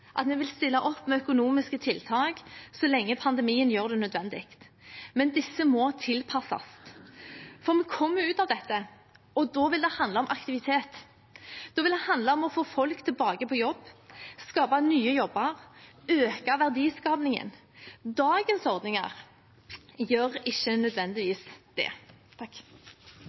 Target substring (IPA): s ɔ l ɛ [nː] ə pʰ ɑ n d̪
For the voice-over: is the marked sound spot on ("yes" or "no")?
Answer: no